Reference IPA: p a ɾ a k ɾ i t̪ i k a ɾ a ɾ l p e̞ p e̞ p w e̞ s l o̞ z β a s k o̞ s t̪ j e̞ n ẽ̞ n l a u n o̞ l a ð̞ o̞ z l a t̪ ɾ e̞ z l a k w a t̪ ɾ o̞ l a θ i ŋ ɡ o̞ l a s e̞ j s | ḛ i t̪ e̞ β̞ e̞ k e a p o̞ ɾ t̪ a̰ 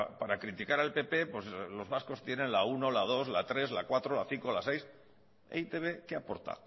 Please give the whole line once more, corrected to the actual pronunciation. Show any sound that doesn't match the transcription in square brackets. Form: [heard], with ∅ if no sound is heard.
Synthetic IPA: p a ɾ a k ɾ i t̪ i k a ɾ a [∅] l p e̞ p e̞ p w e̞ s l o̞ z β a s k o̞ s t̪ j e̞ n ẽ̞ n l a u n o̞ l a ð̞ o̞ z l a t̪ ɾ e̞ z l a k w a t̪ ɾ o̞ l a θ i ŋ [k] o̞ l a s e̞ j s | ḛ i t̪ e̞ β̞ e̞ k e a p o̞ ɾ t̪ a̰